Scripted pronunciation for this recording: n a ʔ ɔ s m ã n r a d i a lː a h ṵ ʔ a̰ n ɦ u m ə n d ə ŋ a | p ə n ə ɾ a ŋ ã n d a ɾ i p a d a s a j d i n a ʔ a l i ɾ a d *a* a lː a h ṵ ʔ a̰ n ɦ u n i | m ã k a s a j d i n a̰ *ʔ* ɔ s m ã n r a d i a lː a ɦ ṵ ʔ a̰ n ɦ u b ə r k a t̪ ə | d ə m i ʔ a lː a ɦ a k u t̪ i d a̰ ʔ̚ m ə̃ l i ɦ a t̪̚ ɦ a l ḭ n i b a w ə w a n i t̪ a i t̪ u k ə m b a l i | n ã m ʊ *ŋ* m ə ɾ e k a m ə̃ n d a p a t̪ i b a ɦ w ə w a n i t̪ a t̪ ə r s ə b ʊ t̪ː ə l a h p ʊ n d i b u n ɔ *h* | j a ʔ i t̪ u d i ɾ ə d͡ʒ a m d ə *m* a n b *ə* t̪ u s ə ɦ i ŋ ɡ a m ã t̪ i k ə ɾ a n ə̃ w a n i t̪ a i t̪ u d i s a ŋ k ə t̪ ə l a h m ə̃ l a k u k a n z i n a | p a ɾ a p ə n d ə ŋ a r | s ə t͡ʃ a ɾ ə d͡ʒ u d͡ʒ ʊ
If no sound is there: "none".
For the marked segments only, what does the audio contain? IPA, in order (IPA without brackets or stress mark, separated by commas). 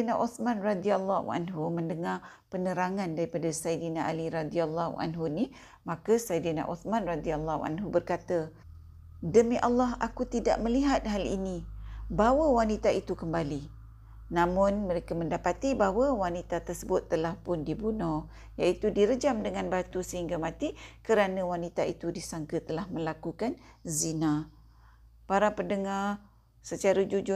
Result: i, ʔ, n, h, ŋ, a